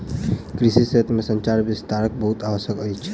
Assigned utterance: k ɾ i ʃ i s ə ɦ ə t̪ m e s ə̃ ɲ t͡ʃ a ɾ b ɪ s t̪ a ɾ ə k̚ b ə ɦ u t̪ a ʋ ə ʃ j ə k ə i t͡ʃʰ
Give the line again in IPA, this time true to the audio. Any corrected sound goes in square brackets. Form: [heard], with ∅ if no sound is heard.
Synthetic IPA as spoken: k ɾ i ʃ i s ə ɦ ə t̪ m e s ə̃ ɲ t͡ʃ a ɾ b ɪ s t̪ a ɾ ə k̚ b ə ɦ u t̪ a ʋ ə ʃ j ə k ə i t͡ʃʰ